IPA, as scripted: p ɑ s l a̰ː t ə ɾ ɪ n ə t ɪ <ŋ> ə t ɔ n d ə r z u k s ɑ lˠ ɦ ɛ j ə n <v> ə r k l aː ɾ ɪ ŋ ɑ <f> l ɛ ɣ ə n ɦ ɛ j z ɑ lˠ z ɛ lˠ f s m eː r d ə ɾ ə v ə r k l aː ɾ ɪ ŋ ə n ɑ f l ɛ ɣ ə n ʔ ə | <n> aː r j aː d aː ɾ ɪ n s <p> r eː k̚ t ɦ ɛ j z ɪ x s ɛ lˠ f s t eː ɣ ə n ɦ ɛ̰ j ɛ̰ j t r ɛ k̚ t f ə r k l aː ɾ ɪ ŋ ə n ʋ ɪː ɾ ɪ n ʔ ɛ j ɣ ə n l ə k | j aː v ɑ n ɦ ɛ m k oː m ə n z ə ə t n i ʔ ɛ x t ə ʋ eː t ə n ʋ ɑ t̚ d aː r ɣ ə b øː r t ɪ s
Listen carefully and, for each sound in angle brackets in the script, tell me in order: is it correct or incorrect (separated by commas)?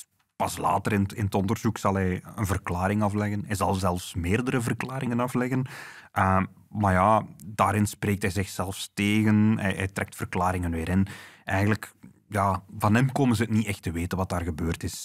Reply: incorrect, correct, correct, incorrect, correct